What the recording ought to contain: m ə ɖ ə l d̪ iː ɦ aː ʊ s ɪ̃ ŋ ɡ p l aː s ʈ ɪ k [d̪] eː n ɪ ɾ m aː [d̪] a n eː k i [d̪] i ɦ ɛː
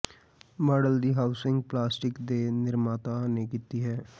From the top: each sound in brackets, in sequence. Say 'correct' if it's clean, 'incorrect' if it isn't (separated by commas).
correct, incorrect, incorrect